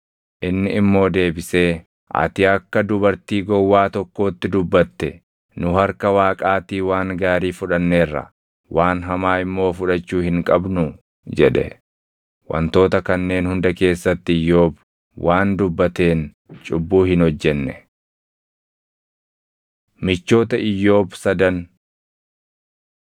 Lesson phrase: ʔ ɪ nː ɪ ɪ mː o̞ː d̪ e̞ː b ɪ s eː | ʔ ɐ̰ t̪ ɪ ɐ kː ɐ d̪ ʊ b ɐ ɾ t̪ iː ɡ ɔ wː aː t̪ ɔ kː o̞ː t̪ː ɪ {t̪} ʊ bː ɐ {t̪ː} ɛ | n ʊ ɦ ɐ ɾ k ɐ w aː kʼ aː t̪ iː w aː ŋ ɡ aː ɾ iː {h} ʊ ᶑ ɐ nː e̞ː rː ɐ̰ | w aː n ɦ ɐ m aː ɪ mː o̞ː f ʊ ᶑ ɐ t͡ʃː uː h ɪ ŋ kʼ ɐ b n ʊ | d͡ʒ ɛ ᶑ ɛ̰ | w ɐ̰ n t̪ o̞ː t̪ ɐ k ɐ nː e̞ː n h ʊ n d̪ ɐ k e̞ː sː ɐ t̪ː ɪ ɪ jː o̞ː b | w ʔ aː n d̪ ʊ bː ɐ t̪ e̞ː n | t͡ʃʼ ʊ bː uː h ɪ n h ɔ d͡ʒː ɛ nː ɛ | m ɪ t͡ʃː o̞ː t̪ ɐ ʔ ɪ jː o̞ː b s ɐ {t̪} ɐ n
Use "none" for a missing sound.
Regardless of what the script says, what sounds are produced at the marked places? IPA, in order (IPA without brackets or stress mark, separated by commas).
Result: d̪, t̪ː, f, d̪